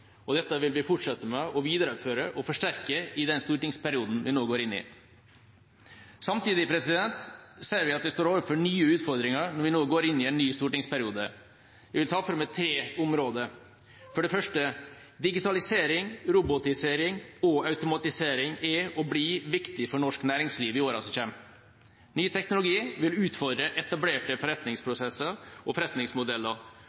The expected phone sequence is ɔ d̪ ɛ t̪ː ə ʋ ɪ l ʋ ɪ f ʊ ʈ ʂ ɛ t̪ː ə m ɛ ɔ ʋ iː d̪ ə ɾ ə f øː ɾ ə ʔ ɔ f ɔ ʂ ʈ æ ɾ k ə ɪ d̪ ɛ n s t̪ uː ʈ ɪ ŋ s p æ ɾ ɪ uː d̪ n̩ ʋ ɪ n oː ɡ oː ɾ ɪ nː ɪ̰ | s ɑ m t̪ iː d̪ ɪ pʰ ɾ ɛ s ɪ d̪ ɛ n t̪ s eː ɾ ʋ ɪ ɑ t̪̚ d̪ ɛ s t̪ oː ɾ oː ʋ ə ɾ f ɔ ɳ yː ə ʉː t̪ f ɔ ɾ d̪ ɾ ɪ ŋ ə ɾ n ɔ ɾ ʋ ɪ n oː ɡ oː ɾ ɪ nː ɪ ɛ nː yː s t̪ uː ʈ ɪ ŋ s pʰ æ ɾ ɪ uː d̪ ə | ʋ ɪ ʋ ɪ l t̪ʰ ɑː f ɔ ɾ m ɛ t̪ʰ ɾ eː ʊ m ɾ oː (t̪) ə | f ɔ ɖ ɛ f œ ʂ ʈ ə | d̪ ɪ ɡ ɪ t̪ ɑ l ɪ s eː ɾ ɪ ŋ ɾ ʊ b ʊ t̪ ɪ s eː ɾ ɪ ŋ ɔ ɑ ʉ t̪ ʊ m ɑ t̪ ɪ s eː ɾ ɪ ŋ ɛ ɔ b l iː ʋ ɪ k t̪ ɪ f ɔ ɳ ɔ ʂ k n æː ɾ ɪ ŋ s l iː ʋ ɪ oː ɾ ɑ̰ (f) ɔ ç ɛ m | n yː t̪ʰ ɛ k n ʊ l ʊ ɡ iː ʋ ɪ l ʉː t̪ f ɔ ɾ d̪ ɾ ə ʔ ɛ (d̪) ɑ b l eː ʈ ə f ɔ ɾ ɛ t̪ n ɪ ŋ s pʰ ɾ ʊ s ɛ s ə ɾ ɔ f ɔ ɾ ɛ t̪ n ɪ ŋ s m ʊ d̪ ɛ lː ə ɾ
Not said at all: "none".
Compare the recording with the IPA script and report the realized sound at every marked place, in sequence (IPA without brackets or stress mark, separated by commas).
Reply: d̪, s, t̪